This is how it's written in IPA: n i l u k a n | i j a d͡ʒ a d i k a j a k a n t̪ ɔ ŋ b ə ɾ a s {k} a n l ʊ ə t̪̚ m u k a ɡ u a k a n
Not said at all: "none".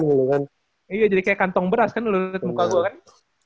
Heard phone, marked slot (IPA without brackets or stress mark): k